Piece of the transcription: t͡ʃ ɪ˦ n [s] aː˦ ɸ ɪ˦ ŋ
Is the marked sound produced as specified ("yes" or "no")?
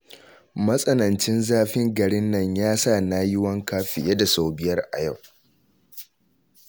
no